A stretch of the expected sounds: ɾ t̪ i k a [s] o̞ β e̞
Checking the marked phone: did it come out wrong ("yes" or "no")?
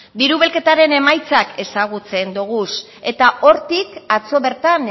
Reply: yes